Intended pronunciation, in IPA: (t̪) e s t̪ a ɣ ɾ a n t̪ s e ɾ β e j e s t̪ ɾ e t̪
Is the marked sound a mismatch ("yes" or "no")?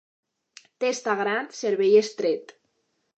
no